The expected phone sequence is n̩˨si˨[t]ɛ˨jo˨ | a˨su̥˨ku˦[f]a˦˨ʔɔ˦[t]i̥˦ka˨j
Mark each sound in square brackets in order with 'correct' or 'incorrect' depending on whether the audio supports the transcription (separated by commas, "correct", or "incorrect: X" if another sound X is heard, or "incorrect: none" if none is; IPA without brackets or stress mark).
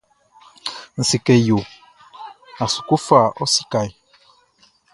incorrect: k, correct, incorrect: s